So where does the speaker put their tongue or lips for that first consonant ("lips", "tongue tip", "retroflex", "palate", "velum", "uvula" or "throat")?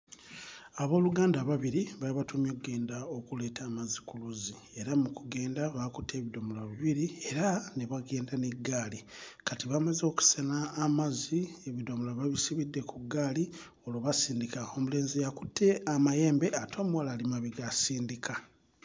lips